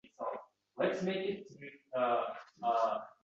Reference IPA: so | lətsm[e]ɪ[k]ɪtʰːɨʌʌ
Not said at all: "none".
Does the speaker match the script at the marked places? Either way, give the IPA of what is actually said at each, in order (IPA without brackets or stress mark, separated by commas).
e, k